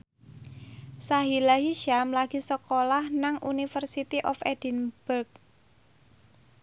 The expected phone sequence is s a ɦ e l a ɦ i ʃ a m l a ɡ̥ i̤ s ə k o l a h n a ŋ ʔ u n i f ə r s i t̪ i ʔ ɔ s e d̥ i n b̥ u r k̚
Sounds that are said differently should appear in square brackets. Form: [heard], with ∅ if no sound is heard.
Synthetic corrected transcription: s a ɦ [i] l a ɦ i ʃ a m l a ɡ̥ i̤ s ə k o l a h n a ŋ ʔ u n i f ə r s i t̪ i ʔ ɔ [f] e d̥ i n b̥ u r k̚

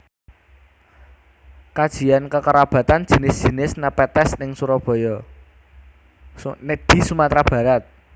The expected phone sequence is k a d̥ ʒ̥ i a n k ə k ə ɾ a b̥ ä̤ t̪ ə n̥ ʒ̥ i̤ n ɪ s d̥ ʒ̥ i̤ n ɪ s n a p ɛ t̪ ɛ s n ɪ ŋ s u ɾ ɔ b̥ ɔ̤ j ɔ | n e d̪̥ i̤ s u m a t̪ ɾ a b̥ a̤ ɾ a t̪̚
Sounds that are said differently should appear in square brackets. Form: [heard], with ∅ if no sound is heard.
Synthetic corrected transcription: k a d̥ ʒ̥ i a n k ə k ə ɾ a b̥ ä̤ t̪ [a] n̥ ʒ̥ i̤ n ɪ s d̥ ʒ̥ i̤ n ɪ s n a p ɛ t̪ ɛ s n ɪ ŋ s u ɾ ɔ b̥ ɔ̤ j ɔ | n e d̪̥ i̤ s u m a t̪ ɾ a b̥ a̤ ɾ a t̪̚

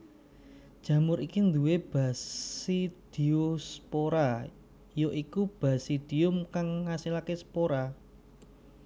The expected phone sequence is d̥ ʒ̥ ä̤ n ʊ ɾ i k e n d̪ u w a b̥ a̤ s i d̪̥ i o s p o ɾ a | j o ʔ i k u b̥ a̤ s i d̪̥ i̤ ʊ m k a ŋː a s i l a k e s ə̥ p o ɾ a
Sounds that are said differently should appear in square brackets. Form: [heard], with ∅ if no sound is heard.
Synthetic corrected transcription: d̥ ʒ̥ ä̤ [m] ʊ ɾ i k [i] n d̪ u w [e] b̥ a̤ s i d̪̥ i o s p o ɾ a | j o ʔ i k u b̥ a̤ s i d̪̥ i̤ ʊ m k a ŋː a s i l a k e s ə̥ p o ɾ a

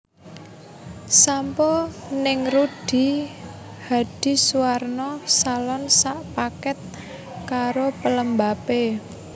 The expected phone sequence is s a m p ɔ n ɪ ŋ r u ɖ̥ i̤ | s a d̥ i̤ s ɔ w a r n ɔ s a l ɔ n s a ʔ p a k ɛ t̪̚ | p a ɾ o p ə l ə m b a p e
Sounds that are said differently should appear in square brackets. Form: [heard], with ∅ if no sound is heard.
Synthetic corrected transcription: s a m p ɔ n ɪ ŋ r u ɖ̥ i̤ | [h] a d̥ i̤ s [u] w a r n ɔ s a l ɔ n s a ʔ p a k ɛ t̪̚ | [k] a ɾ o p ə l ə m b a p e

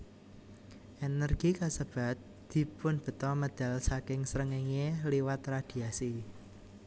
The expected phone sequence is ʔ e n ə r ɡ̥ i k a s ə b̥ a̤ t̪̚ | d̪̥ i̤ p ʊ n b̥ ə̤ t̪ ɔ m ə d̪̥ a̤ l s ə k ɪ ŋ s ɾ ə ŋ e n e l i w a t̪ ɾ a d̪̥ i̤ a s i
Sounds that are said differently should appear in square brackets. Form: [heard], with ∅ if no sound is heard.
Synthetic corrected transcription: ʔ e n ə r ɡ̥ i k a s ə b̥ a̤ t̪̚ | d̪̥ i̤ p ʊ n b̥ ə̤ t̪ ɔ m ə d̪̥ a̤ l s [a] k ɪ ŋ s ɾ ə ŋ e [ŋ] e l i w a t̪ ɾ a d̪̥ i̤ a s i

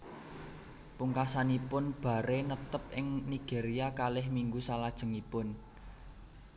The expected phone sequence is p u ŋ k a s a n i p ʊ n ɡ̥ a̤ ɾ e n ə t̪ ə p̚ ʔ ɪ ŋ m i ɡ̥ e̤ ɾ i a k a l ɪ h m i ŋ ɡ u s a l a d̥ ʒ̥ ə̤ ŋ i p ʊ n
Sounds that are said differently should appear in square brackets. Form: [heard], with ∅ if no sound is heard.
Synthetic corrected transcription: p u ŋ k a s a n i p ʊ n [b̥] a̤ ɾ e n ə t̪ ə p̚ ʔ ɪ ŋ [n] i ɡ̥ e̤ ɾ i a k a l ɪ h m i ŋ ɡ u s a l a d̥ ʒ̥ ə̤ ŋ i p ʊ n

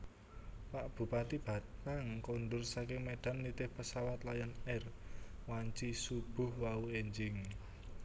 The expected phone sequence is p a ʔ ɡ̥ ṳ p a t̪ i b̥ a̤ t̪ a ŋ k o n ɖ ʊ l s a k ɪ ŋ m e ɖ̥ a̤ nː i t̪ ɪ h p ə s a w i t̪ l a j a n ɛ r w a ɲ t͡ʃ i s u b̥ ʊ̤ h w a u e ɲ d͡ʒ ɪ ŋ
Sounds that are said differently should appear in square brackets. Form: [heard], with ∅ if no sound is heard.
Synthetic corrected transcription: p a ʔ [b̥] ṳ p a t̪ i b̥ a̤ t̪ a ŋ k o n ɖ ʊ [r] s a k ɪ ŋ m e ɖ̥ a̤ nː i t̪ ɪ h p ə s a w [a] t̪ l a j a n ɛ r w a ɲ t͡ʃ i s u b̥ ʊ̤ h w a u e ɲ d͡ʒ ɪ ŋ

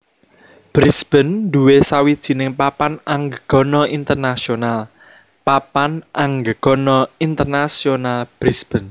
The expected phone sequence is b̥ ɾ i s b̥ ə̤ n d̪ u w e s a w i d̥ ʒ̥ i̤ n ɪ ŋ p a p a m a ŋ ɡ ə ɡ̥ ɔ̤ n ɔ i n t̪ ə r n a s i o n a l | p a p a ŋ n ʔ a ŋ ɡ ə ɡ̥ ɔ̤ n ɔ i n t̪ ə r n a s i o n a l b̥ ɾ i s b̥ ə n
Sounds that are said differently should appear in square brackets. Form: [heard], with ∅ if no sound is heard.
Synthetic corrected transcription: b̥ ɾ i s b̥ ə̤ n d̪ u w e s a w i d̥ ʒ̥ i̤ n ɪ ŋ p a p a [n] a ŋ ɡ ə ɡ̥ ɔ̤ n ɔ i n t̪ ə r n a s i o n a l | p a p a [∅] n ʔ a ŋ ɡ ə ɡ̥ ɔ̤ n ɔ i n t̪ ə r n a s i o n a l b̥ ɾ i s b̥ ə n

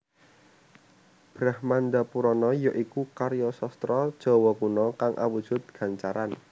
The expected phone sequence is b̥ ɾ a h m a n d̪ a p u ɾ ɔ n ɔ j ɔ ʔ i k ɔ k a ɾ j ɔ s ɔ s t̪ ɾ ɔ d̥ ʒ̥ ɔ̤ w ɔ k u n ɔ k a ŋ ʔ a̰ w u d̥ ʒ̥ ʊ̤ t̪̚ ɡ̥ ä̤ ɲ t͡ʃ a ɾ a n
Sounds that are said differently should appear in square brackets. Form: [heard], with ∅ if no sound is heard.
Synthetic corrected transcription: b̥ ɾ a h m a n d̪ a p u ɾ ɔ n ɔ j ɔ ʔ i k [u] k a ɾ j ɔ s ɔ s t̪ ɾ ɔ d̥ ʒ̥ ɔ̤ w ɔ k u n ɔ k a ŋ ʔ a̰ w u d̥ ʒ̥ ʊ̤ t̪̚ ɡ̥ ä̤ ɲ t͡ʃ a ɾ a n

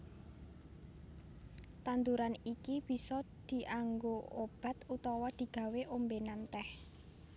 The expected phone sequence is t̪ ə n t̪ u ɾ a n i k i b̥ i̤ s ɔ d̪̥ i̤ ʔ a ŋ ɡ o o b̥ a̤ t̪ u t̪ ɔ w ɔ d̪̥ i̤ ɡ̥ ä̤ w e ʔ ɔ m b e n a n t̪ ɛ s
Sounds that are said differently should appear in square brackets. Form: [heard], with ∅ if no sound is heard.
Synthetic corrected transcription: t̪ [a] n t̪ u ɾ a n i k i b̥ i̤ s ɔ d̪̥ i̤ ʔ a ŋ ɡ o o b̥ a̤ t̪ u t̪ ɔ w ɔ d̪̥ i̤ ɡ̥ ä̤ w e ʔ [o] m b e n a n t̪ ɛ [h]

